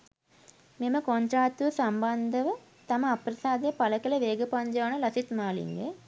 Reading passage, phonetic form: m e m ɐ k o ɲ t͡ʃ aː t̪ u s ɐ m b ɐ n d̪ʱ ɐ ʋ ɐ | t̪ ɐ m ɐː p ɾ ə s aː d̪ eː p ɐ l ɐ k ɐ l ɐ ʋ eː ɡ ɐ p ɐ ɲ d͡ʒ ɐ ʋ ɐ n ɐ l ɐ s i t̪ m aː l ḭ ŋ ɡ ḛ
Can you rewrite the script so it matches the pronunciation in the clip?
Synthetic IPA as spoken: m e m ɐ k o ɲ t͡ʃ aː t̪ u s ɐ m b ɐ n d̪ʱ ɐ ʋ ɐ | t̪ ɐ m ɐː p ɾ ɐ s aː d̪ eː p ɐ l ɐ k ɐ l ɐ ʋ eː ɡ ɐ p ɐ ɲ d͡ʒ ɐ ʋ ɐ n ɐ l ɐ s i t̪ m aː l ḭ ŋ ɡ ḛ